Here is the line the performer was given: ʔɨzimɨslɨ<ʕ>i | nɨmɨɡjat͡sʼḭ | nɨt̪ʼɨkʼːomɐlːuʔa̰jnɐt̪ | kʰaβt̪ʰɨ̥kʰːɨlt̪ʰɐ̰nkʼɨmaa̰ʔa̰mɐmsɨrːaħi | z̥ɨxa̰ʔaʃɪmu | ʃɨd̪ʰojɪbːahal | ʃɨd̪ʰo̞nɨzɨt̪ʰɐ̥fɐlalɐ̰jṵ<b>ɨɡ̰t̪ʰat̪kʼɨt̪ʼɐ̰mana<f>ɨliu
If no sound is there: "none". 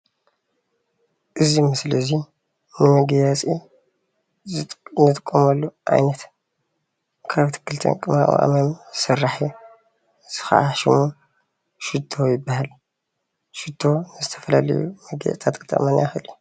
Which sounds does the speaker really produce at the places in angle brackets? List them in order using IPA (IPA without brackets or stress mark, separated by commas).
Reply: z, m, x